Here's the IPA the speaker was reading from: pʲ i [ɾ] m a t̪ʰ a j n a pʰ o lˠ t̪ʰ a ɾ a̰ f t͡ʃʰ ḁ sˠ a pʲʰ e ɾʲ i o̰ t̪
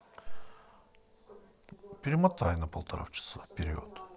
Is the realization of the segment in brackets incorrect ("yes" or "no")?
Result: no